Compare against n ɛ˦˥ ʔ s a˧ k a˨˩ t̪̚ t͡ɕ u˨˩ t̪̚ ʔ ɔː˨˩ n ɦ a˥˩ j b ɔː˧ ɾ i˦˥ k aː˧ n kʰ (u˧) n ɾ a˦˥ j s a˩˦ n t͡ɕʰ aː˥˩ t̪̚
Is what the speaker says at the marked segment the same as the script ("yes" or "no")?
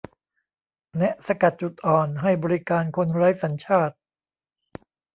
no